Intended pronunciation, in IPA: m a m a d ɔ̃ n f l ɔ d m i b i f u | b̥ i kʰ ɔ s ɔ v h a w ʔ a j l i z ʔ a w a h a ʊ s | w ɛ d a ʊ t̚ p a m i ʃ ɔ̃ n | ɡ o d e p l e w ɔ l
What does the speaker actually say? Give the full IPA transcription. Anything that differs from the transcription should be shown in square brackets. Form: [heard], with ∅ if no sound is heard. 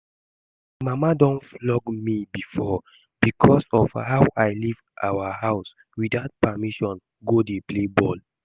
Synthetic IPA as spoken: m a m a d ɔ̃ n f l ɔ [ɡ] m i b i f [ɔ] | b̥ i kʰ ɔ s ɔ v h a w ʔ a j l i [v] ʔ a w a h a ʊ s | w [i] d a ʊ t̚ p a m i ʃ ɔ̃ n | ɡ o d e p l e [b] ɔ l